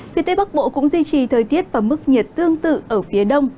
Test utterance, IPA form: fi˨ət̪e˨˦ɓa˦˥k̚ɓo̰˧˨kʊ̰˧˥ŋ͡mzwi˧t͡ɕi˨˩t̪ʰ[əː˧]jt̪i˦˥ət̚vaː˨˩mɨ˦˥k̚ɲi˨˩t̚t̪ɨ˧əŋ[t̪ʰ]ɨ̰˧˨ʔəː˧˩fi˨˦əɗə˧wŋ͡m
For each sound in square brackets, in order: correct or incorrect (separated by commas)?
incorrect, incorrect